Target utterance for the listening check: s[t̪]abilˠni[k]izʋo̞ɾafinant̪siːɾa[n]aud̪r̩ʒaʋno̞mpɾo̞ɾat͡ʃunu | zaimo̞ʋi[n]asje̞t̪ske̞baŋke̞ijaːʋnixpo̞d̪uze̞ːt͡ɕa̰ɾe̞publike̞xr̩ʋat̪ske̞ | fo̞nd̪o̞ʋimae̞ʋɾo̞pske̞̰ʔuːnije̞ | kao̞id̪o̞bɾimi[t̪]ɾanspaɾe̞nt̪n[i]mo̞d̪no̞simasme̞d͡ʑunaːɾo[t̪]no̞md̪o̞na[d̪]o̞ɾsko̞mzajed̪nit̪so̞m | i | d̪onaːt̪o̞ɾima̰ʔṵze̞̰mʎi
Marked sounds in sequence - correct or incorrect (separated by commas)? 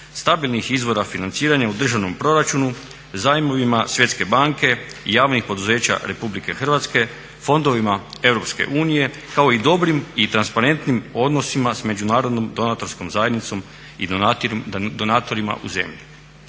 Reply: correct, incorrect, incorrect, incorrect, correct, correct, incorrect, incorrect